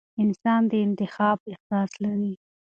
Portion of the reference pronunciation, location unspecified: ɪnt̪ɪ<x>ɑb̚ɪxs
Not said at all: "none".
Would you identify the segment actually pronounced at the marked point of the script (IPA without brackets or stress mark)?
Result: x